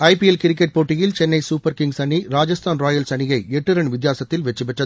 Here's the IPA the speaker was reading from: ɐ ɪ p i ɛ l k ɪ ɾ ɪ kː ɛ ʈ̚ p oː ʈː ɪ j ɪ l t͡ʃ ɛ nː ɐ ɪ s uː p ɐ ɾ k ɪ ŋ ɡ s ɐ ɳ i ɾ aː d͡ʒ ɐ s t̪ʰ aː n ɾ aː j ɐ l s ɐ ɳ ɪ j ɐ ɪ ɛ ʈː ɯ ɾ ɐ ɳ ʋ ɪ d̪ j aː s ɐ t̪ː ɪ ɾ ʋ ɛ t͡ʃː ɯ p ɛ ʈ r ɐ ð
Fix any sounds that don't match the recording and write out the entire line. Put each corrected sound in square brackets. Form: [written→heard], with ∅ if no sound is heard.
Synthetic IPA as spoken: ɐ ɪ p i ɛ l k ɪ ɾ ɪ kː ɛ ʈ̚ p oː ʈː ɪ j ɪ l t͡ʃ ɛ nː ɐ ɪ s uː p ɐ ɾ k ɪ ŋ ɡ s ɐ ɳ i ɾ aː d͡ʒ ɐ s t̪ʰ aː n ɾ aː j ɐ l s ɐ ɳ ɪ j ɐ ɪ ɛ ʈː ɯ ɾ ɐ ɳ ʋ ɪ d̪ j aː s ɐ t̪ː ɪ [ɾ→l] ʋ ɛ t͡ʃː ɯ p ɛ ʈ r ɐ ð